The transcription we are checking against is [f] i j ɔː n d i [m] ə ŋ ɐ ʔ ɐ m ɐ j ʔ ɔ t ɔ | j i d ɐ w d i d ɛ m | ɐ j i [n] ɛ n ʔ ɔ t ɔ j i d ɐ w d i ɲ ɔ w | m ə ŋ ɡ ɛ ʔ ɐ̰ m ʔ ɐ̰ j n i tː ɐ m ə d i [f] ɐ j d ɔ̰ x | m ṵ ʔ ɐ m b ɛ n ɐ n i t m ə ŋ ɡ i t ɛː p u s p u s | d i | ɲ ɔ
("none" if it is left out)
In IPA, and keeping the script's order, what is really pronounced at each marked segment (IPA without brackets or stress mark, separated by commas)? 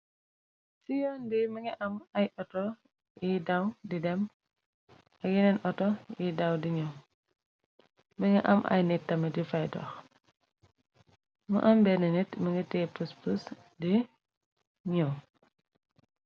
s, m, n, f